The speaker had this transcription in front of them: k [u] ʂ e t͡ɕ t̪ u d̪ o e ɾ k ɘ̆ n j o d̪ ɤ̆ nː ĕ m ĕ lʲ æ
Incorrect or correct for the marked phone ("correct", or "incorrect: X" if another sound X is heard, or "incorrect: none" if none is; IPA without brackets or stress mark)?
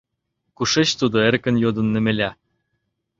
correct